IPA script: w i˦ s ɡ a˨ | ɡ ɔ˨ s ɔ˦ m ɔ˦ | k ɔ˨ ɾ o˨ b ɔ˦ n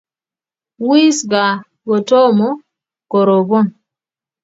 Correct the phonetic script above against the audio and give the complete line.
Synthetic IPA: w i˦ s ɡ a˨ | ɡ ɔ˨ t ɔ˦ m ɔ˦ | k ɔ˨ ɾ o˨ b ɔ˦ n